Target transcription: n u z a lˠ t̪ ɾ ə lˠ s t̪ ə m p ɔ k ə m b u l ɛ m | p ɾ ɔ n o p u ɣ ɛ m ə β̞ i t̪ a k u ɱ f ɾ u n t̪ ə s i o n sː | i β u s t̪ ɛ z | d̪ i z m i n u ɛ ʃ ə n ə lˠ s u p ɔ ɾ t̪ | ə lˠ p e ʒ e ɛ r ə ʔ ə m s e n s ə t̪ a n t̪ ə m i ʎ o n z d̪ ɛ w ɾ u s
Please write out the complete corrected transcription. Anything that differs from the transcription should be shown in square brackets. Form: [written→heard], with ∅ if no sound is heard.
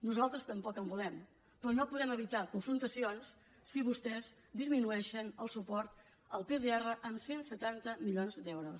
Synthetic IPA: n u z a lˠ t̪ ɾ ə [lˠ→∅] s t̪ ə m p ɔ k ə m b u l ɛ m | p ɾ ɔ n o p u [ɣ→ð] ɛ m ə β̞ i t̪ a k u ɱ f ɾ u n t̪ ə s i o n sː | i β u s t̪ ɛ z | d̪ i z m i n u ɛ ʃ ə n ə lˠ s u p ɔ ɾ t̪ | ə lˠ p e [ʒ→ð] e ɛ r ə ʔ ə m s e n s ə t̪ a n t̪ ə m i ʎ o n z d̪ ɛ w ɾ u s